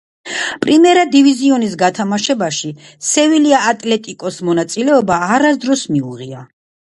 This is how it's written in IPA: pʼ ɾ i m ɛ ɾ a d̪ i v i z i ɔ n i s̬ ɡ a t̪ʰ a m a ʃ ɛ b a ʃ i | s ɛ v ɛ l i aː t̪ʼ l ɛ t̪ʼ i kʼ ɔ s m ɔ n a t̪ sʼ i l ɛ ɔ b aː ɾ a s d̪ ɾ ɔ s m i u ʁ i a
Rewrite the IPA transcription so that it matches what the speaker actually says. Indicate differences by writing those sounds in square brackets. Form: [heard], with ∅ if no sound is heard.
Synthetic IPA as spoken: pʼ ɾ i m ɛ ɾ a d̪ i v i z i ɔ n i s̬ ɡ a t̪ʰ a m a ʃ ɛ b a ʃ i | s ɛ v [i] l i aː t̪ʼ l ɛ t̪ʼ i kʼ ɔ s m ɔ n a t̪ sʼ i l ɛ ɔ b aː ɾ a s d̪ ɾ ɔ s m i u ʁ i a